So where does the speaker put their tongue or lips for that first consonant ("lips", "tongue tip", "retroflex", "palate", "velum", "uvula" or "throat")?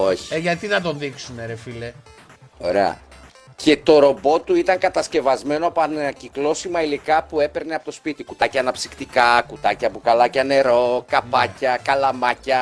palate